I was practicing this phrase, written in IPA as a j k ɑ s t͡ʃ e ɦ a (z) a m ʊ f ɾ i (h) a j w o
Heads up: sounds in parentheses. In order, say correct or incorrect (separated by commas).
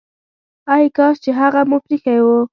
incorrect, incorrect